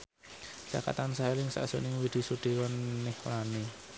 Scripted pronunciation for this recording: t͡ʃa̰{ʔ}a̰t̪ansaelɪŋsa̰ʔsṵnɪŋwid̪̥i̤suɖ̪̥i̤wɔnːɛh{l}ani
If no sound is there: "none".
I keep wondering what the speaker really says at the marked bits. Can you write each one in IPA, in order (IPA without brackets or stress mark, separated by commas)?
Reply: k, l